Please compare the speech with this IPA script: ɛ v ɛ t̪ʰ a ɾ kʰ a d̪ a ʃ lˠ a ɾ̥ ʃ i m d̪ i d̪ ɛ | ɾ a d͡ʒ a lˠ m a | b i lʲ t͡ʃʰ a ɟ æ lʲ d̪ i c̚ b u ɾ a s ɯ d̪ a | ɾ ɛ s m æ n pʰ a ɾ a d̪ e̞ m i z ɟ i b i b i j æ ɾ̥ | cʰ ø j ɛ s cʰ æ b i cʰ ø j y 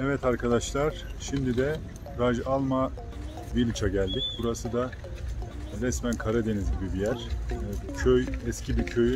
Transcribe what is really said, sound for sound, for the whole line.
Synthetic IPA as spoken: ɛ v ɛ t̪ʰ a ɾ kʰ a d̪ a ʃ lˠ a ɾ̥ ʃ i m d̪ i d̪ ɛ | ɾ a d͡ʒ a lˠ m a | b i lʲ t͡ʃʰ a ɟ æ lʲ d̪ i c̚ b u ɾ a s ɯ d̪ a | ɾ ɛ s m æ n kʰ a ɾ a d̪ e̞ n i z ɟ i b i b i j æ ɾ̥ | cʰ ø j ɛ s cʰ i b i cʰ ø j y